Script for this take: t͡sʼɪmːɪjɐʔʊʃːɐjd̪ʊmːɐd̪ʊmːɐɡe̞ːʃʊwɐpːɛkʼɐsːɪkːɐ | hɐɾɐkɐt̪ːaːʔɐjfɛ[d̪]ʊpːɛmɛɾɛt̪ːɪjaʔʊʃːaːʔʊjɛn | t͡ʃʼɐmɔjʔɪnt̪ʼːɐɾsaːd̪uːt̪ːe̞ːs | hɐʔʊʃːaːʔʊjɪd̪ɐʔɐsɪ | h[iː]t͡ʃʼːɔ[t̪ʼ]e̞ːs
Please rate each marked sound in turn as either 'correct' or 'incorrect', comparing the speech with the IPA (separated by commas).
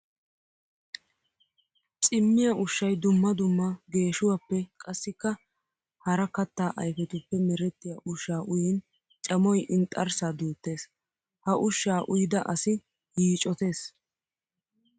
incorrect, correct, incorrect